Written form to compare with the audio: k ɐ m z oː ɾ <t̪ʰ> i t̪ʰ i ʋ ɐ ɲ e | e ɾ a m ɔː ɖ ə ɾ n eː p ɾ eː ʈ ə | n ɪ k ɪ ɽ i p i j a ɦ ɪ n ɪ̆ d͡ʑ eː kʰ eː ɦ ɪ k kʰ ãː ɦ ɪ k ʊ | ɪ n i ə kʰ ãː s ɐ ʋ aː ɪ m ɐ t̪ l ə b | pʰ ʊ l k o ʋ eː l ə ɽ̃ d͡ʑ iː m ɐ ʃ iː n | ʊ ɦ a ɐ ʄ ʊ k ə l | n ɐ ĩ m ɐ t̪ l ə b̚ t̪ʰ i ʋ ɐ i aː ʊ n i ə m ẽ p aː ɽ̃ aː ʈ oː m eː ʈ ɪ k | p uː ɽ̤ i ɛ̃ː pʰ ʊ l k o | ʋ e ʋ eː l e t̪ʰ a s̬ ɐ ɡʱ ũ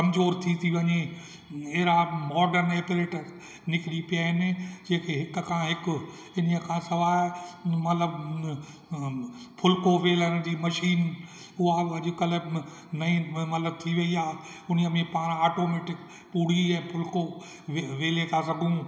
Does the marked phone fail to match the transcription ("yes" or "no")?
no